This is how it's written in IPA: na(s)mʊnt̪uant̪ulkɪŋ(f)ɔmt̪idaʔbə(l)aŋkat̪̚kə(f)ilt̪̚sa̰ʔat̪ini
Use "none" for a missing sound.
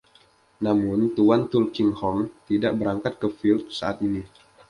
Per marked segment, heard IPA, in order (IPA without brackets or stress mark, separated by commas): none, h, ɾ, f